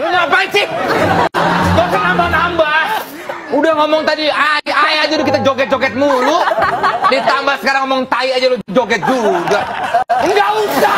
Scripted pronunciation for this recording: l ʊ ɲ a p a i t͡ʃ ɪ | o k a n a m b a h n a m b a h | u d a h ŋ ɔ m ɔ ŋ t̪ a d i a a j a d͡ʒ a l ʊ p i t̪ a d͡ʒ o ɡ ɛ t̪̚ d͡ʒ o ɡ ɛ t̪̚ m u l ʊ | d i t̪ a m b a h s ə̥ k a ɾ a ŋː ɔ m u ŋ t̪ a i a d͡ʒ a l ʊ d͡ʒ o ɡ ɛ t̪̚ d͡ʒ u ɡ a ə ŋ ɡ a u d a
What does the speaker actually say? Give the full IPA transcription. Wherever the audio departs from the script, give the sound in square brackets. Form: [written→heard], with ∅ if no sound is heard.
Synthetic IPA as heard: l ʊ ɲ a p a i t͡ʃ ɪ | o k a n a m b a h n a m b a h | u d a h ŋ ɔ m ɔ ŋ t̪ a d i a a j a d͡ʒ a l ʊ [p→k] i t̪ a d͡ʒ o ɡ ɛ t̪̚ d͡ʒ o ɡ ɛ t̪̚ m u l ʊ | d i t̪ a m b a h s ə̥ k a ɾ a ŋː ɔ m [u→ɔ] ŋ t̪ a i a d͡ʒ a l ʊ d͡ʒ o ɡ ɛ t̪̚ d͡ʒ u ɡ a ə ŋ ɡ a u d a